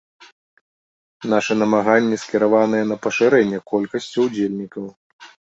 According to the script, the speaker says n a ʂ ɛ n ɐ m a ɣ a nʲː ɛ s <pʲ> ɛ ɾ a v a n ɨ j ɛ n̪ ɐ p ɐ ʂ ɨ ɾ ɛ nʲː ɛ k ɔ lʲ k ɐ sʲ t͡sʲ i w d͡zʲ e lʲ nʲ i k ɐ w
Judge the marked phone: incorrect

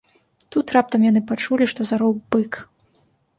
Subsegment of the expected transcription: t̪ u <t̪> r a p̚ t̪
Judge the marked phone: correct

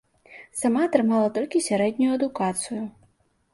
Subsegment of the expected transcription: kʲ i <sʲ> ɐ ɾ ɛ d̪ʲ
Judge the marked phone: correct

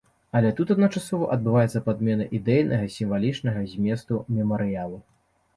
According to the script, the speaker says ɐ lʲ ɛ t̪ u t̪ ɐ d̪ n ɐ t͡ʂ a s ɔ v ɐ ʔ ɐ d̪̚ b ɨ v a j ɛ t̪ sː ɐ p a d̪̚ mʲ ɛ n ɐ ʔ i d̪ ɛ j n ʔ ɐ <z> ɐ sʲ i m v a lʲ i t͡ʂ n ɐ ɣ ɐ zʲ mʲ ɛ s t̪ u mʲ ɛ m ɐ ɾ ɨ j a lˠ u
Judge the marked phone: incorrect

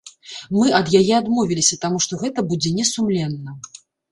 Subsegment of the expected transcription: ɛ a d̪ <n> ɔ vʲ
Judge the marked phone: incorrect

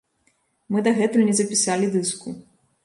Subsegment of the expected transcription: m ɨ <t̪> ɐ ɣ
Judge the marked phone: incorrect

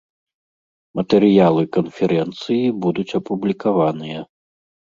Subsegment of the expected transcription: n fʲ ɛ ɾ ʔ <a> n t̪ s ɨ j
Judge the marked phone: incorrect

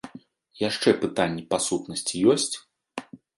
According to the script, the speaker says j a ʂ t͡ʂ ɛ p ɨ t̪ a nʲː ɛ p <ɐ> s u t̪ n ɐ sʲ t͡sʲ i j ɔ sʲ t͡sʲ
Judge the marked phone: incorrect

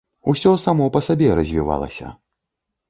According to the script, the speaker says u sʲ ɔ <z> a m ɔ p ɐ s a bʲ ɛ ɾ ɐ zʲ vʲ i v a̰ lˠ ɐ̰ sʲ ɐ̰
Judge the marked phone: incorrect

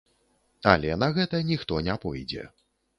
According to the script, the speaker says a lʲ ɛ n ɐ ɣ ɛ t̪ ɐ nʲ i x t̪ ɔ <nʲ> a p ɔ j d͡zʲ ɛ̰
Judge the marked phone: correct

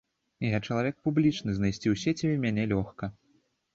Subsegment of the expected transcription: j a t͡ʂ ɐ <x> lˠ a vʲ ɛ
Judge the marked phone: incorrect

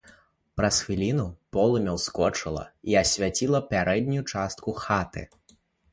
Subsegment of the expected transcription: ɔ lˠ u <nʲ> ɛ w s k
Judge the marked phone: incorrect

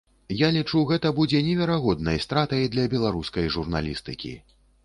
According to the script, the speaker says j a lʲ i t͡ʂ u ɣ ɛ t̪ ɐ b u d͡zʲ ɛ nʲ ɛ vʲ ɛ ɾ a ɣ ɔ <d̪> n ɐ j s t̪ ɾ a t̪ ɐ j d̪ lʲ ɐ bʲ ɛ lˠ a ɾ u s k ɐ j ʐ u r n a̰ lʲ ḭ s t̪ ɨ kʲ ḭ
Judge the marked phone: correct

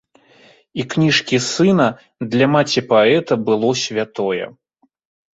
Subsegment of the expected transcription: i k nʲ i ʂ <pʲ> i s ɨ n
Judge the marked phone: incorrect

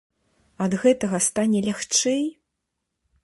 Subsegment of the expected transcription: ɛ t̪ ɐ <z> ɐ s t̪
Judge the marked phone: incorrect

